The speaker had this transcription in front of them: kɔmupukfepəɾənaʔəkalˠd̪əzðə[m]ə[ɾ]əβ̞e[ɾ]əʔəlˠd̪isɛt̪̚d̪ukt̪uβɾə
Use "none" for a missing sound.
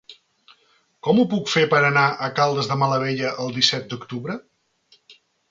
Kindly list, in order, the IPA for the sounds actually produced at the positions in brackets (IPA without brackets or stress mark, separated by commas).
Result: m, l, ʎ